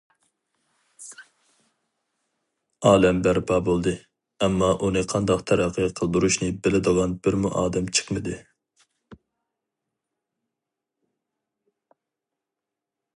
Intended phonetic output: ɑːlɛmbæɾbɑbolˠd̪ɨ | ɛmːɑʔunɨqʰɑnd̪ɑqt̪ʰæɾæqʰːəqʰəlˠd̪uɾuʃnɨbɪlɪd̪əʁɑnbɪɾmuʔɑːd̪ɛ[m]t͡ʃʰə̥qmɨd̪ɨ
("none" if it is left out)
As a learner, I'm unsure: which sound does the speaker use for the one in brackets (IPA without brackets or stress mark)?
m